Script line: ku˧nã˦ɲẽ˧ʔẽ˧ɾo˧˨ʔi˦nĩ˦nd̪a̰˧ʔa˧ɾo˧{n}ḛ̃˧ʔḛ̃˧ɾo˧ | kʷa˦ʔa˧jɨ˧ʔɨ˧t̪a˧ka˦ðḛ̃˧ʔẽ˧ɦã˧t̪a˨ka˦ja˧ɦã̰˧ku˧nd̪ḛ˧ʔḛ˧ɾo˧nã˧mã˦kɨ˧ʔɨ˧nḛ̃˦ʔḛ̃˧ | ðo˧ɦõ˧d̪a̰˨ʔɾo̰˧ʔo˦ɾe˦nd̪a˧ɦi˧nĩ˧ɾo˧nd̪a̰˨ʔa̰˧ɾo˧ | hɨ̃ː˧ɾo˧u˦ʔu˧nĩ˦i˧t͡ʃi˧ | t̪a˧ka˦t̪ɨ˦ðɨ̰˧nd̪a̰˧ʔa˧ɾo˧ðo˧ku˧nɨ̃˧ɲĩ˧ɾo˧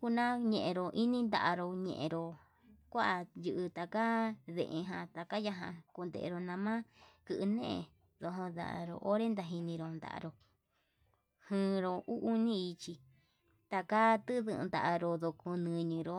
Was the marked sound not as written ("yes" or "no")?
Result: yes